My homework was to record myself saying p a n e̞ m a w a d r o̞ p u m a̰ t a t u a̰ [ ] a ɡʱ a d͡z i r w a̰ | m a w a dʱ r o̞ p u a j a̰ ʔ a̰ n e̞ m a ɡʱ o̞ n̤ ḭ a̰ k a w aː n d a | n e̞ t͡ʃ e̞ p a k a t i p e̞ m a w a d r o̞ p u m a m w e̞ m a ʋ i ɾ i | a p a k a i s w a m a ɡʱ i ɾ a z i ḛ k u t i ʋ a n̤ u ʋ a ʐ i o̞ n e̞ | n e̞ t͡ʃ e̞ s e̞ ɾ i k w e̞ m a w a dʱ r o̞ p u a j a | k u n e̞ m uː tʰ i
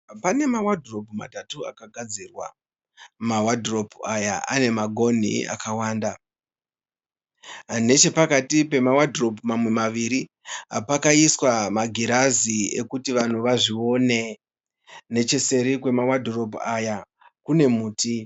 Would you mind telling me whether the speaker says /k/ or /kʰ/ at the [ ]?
k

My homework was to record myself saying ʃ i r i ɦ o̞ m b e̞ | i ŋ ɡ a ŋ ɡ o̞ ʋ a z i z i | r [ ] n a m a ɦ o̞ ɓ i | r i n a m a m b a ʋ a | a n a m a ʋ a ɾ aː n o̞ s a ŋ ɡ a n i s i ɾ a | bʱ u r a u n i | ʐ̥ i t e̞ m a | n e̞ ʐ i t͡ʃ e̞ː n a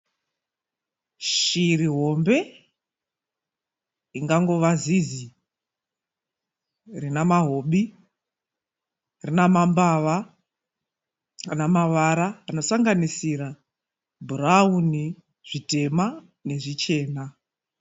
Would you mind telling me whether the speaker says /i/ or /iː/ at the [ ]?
i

